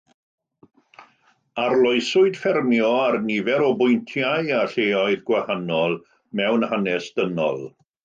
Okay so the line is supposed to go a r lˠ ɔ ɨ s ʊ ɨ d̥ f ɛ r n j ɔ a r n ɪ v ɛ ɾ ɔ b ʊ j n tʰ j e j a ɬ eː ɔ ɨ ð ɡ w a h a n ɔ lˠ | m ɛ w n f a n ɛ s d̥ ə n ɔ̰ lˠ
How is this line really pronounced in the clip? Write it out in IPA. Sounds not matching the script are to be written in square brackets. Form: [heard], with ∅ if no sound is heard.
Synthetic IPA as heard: a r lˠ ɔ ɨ s ʊ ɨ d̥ f ɛ r [m] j ɔ a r n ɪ v ɛ ɾ ɔ b ʊ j n tʰ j [a] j a ɬ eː ɔ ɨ ð ɡ w a h a n ɔ lˠ | m ɛ w n [h] a n ɛ s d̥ ə n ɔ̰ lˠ